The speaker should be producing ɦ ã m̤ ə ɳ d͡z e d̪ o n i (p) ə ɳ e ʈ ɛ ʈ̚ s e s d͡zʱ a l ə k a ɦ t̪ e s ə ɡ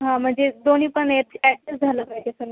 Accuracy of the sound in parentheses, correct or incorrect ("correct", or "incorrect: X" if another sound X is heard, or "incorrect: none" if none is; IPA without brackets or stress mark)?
correct